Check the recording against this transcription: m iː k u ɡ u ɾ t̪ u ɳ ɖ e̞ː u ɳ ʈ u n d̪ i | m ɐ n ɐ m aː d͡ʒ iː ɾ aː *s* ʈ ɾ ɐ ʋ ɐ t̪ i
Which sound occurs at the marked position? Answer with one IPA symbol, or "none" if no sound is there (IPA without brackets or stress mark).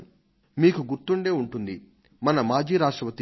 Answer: ʂ